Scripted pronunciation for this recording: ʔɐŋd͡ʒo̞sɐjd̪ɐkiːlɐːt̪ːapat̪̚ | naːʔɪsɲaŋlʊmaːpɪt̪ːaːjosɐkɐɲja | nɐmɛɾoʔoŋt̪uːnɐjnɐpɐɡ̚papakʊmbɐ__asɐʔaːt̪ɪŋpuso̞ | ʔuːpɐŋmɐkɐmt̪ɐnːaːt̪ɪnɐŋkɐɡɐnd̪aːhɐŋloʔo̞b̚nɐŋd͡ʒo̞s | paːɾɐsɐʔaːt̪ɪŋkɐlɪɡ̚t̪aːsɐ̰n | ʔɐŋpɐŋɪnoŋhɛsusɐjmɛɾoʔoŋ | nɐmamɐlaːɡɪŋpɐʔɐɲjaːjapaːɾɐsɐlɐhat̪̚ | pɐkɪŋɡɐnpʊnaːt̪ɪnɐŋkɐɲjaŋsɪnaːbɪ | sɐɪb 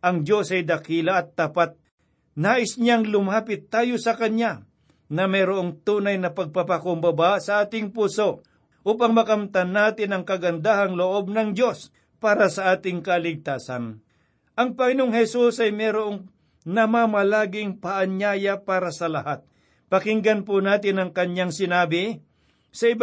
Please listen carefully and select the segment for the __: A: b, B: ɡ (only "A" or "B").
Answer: A